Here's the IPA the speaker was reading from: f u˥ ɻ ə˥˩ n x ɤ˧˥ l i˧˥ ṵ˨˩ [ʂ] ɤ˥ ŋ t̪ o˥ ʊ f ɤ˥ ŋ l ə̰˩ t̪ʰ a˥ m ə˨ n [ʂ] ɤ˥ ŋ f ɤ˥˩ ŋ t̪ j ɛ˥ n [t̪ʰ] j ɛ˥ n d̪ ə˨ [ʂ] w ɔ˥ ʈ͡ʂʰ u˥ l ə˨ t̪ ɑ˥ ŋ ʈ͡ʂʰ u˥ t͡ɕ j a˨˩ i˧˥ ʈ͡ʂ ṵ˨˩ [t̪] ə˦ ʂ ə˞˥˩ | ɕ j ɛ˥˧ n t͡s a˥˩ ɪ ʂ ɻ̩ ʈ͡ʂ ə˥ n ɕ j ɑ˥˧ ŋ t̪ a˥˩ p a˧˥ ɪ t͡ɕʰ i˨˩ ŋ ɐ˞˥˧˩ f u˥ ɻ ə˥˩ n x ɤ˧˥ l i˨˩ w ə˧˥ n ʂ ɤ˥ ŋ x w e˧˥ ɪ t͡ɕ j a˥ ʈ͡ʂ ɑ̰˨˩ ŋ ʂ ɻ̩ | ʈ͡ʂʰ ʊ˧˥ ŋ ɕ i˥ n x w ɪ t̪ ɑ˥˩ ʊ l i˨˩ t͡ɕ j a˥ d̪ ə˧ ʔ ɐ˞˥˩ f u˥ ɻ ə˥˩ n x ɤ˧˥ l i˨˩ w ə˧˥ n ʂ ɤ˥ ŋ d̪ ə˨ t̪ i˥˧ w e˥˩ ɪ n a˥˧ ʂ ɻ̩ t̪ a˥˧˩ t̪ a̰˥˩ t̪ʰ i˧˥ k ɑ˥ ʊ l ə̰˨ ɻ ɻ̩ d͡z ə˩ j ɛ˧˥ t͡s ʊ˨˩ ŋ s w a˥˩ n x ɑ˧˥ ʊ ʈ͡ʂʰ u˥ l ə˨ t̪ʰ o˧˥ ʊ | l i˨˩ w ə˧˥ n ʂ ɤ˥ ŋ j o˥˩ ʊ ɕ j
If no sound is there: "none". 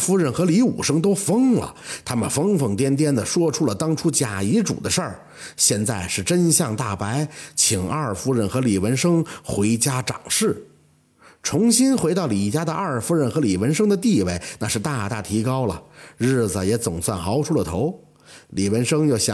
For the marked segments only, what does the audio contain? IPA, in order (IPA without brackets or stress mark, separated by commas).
ʂ, f, t̪, ʂ, d̪